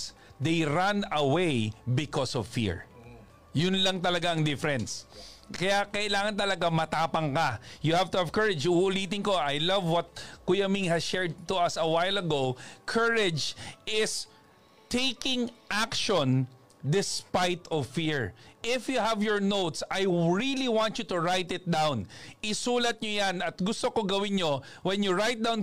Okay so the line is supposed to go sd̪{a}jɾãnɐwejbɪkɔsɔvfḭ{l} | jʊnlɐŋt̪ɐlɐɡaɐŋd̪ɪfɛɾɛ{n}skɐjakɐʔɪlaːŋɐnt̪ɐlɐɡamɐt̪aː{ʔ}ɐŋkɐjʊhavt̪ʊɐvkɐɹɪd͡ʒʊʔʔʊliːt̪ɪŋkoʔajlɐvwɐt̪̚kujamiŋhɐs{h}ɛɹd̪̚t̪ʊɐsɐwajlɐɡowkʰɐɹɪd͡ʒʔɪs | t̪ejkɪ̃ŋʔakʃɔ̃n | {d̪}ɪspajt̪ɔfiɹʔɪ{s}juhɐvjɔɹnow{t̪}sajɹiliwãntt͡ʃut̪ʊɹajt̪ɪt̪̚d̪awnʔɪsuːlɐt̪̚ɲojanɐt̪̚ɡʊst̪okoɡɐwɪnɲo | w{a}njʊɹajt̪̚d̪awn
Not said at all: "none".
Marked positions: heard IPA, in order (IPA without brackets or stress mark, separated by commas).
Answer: e, ɹ, n, p, ʃ, d̪, f, t̪, ɛ